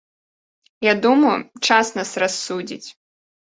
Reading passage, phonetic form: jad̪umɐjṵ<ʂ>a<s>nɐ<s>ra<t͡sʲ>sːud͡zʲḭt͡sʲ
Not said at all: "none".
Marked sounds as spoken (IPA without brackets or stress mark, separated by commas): t͡ʂ, s, s, none